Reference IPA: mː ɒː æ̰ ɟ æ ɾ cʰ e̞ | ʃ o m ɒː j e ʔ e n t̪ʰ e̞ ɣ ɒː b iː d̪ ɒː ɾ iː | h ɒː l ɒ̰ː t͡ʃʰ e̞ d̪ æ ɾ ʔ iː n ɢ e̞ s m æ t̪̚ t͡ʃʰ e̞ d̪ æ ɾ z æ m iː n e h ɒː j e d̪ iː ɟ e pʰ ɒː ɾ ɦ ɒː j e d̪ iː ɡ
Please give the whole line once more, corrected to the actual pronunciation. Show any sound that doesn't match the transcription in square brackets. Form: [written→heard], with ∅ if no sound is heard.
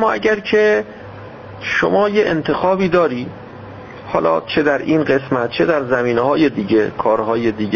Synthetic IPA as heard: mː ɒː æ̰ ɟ æ ɾ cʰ e̞ | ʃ o m ɒː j e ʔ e n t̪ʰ e̞ [ɣ→x] ɒː b iː d̪ ɒː ɾ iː | h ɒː l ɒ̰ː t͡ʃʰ e̞ d̪ æ ɾ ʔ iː n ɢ e̞ s m æ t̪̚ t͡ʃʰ e̞ d̪ æ ɾ z æ m iː n e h ɒː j e d̪ iː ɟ e [pʰ→kʰ] ɒː ɾ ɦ ɒː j e d̪ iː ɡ